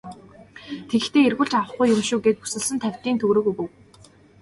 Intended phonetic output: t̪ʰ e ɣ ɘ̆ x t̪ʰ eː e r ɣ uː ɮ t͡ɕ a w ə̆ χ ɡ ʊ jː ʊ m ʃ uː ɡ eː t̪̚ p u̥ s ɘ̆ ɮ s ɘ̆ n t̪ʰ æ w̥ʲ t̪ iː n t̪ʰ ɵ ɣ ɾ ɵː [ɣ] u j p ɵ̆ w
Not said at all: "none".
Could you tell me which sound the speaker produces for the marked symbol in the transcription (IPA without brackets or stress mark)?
ɣ